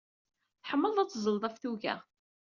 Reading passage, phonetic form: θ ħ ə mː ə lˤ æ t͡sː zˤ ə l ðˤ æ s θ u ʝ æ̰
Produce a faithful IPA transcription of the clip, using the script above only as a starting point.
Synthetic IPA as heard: θ ħ ə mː ə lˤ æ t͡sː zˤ ə l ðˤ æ f θ u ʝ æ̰